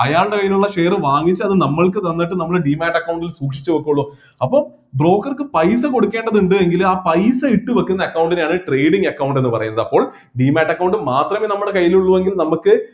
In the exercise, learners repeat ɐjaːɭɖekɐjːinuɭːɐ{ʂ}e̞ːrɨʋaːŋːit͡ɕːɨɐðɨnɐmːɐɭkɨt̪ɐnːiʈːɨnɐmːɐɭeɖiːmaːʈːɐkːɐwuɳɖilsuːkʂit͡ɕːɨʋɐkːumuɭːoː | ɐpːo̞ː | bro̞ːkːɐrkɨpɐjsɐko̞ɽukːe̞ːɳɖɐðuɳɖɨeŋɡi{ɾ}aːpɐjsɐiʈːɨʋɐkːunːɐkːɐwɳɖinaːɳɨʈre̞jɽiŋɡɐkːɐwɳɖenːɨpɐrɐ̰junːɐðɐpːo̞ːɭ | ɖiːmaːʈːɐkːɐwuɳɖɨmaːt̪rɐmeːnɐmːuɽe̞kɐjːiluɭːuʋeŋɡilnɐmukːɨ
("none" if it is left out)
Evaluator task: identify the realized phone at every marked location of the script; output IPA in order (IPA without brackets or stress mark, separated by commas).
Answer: ʂ, l